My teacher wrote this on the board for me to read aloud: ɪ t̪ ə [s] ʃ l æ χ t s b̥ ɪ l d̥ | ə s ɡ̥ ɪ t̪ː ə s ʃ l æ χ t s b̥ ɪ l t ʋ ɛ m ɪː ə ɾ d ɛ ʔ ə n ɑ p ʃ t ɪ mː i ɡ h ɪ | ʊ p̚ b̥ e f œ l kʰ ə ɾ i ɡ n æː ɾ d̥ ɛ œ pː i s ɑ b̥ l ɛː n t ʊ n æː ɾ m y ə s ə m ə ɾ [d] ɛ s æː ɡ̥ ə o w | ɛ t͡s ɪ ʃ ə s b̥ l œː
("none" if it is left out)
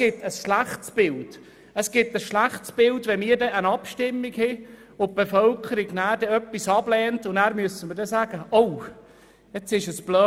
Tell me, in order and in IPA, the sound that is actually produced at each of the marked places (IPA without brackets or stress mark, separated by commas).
s, d